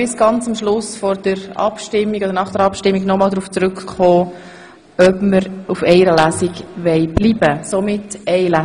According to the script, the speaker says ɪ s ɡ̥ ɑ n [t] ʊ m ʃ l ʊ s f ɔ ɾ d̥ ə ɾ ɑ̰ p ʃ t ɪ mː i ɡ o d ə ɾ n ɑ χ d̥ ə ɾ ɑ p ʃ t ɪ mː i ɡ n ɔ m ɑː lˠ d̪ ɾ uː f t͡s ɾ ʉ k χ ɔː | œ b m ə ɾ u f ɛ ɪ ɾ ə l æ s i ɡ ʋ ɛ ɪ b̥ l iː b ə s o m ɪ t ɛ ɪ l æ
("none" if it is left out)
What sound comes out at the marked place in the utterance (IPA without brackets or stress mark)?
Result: t͡s